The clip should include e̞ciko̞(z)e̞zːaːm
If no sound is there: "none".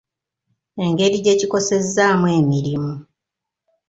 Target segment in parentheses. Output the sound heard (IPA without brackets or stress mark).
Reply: s